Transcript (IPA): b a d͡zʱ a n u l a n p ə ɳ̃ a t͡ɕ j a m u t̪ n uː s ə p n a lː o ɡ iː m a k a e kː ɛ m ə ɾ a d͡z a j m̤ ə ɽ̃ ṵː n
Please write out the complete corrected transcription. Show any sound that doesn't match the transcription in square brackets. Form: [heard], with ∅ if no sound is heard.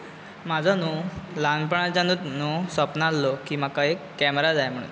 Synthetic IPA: [m] a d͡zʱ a n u l a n p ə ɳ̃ a t͡ɕ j a [n] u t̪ n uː s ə p n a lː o [k] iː m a k a e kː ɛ m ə ɾ a d͡z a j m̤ ə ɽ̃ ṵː n